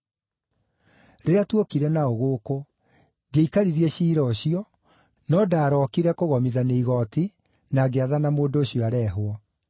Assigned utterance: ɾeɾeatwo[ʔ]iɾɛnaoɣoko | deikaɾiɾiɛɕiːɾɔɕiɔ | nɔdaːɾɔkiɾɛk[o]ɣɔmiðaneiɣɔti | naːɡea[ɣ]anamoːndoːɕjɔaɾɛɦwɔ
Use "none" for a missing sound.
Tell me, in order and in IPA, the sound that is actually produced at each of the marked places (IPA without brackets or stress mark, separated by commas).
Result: k, o, ð